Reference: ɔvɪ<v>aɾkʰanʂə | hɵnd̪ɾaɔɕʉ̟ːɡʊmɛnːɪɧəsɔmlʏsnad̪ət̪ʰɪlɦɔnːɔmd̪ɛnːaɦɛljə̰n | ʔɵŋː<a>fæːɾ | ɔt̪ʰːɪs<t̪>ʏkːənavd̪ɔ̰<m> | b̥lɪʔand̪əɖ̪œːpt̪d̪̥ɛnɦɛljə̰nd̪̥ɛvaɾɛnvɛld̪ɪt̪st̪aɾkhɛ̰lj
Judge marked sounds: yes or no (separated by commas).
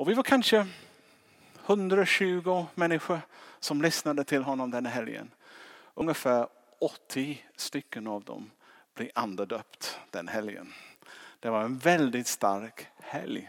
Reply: yes, no, yes, yes